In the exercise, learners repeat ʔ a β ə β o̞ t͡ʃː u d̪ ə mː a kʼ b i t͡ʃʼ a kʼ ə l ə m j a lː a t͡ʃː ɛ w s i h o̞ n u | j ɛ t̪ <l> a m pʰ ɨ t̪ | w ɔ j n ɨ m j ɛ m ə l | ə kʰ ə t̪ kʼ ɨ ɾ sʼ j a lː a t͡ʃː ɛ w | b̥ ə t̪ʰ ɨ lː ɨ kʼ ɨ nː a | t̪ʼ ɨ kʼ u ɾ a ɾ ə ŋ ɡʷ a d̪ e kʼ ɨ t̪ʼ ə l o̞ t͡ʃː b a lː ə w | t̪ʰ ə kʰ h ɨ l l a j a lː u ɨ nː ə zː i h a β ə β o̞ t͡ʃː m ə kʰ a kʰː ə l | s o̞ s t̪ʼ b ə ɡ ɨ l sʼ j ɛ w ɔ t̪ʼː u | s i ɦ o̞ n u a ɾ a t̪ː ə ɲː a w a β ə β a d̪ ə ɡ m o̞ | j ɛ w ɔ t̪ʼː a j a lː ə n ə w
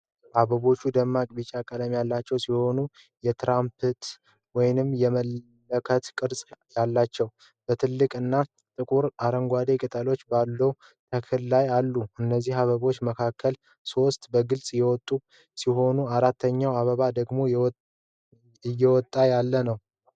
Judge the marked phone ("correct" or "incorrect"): incorrect